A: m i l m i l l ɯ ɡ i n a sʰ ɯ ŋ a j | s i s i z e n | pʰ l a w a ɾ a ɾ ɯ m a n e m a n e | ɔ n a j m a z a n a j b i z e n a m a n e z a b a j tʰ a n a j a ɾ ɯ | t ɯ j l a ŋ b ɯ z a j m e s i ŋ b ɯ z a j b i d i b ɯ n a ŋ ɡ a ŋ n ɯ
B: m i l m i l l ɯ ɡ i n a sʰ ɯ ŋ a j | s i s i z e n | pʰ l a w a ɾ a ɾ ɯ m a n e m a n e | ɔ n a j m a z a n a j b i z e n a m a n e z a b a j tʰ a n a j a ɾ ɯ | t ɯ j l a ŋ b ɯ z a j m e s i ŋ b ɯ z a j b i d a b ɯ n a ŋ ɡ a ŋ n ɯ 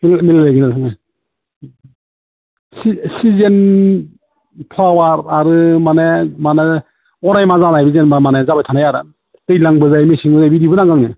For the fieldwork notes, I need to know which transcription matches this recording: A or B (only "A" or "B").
A